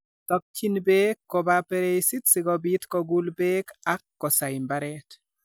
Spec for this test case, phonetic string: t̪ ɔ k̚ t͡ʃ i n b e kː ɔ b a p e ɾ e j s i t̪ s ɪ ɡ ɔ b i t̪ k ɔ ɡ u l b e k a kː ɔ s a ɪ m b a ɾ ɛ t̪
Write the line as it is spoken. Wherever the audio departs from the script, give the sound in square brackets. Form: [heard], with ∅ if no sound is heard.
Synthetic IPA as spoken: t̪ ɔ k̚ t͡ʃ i n b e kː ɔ b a p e ɾ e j s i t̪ s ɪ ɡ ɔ b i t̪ k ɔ ɡ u l b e k a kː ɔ s a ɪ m b a ɾ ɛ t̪